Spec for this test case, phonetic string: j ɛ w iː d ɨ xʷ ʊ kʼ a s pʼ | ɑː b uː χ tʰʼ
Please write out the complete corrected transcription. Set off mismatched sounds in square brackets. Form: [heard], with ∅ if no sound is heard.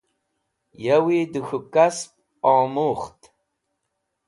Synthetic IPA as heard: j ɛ w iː d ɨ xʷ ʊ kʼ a s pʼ | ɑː [m] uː χ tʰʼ